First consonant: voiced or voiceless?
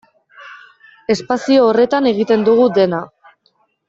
voiceless